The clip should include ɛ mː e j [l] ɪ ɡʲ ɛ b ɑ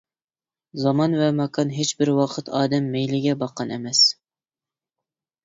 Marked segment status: correct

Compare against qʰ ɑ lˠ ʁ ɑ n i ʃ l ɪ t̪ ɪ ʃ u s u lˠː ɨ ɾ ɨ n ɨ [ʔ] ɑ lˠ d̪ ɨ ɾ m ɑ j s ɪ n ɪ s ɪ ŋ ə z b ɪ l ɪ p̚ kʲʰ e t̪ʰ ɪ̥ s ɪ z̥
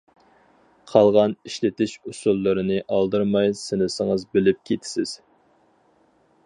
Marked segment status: correct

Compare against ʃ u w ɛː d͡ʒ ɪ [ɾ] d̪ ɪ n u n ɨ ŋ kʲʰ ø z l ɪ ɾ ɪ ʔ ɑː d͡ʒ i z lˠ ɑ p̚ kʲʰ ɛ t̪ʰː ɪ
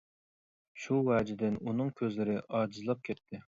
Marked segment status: incorrect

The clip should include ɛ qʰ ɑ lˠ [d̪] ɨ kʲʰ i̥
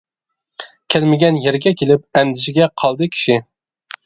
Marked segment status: correct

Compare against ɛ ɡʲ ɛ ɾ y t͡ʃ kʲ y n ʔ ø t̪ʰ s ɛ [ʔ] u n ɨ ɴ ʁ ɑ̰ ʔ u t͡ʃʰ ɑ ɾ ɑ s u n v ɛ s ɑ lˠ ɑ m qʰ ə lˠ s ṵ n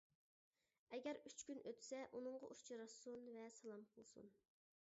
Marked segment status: correct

